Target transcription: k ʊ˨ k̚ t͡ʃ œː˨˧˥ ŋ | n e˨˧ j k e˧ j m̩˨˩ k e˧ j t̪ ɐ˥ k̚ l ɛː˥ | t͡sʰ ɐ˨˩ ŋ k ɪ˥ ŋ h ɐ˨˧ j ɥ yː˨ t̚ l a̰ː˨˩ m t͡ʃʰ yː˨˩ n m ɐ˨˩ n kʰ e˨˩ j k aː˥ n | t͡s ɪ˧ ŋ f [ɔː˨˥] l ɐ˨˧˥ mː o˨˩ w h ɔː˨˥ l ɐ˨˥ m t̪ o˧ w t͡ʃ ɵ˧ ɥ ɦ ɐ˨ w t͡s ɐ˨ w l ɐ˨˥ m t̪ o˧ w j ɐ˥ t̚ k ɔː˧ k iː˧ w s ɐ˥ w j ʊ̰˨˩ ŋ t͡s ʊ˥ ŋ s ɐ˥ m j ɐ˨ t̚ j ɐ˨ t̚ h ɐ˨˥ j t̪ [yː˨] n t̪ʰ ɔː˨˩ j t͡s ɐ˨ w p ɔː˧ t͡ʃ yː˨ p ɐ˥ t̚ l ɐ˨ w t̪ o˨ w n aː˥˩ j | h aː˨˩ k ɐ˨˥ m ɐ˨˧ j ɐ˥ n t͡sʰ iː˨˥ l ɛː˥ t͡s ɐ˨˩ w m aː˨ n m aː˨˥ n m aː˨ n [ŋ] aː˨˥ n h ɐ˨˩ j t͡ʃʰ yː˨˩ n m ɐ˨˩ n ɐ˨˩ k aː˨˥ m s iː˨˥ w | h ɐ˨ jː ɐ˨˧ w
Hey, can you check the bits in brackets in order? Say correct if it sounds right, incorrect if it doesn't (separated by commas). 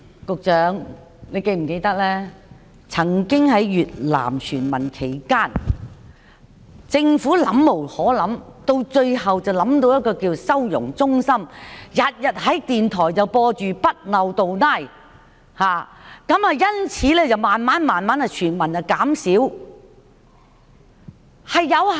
incorrect, incorrect, incorrect